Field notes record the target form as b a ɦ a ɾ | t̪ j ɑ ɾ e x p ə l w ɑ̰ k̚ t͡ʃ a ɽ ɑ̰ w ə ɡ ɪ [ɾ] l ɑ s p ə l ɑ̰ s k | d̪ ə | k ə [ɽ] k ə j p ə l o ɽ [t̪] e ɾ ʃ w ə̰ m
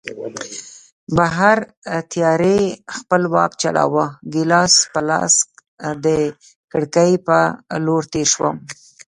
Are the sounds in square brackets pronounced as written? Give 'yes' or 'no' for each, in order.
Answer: no, yes, yes

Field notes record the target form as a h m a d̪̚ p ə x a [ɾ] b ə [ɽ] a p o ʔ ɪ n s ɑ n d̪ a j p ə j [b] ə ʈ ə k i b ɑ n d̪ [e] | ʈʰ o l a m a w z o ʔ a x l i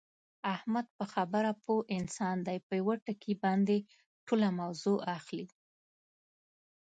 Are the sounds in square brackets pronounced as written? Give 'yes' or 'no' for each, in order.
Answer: no, no, no, yes

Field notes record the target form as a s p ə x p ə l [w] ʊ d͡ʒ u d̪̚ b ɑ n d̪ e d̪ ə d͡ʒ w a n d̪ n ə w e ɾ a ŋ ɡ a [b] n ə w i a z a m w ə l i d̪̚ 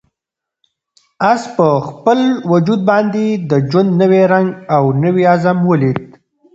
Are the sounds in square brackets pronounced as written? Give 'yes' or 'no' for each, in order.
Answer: yes, no

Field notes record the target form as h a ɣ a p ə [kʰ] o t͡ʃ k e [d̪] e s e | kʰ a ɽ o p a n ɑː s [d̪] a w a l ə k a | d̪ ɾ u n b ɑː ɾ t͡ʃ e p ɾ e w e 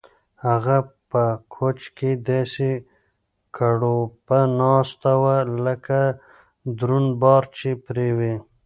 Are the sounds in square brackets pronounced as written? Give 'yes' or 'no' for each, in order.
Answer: yes, yes, no

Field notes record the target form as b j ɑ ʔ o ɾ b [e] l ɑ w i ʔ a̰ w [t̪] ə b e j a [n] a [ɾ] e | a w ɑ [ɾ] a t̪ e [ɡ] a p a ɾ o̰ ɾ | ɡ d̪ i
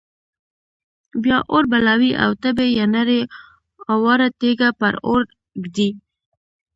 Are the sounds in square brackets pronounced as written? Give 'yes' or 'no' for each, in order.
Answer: no, yes, yes, yes, yes, yes

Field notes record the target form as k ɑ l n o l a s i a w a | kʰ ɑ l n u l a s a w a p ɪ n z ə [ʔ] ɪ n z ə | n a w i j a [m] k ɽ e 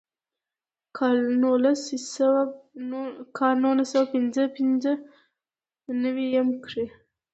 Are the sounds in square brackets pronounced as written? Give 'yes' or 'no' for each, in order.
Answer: no, yes

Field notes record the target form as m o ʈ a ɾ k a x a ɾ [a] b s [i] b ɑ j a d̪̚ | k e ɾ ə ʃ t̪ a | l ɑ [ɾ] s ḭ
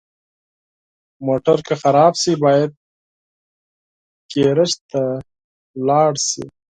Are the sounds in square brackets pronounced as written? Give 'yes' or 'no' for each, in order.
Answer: no, yes, no

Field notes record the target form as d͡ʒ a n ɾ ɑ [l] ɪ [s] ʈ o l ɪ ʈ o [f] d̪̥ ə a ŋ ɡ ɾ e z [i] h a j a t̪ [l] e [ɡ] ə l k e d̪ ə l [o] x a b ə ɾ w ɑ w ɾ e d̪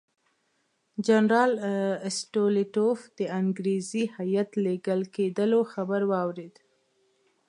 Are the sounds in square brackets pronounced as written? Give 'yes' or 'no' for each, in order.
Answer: yes, yes, yes, yes, yes, yes, yes

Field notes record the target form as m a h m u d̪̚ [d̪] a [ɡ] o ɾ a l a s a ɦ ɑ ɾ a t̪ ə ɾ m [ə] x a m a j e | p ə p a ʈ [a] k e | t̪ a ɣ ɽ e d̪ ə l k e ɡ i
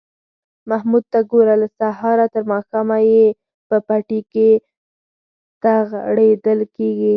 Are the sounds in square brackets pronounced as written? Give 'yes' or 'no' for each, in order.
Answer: no, yes, no, no

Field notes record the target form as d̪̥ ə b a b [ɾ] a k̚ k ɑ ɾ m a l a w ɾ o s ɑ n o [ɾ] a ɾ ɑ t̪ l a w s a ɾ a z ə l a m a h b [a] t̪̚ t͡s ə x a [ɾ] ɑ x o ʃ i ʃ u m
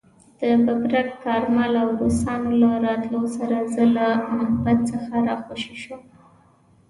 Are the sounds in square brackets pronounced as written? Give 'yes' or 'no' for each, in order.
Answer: yes, no, yes, yes

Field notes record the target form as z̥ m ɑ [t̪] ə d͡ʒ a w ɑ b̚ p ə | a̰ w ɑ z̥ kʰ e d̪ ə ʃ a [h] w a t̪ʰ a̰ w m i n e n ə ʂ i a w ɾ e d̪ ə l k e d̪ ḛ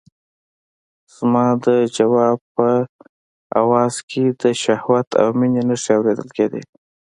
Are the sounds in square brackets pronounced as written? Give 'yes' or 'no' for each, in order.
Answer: no, yes

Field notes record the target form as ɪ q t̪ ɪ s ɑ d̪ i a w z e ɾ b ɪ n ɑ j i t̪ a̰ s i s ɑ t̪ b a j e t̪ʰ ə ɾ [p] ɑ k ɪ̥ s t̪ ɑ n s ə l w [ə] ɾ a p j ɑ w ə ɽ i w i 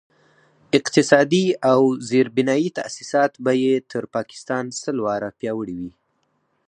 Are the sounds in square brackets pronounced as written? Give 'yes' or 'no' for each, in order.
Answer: yes, no

